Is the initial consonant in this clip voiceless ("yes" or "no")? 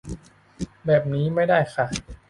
no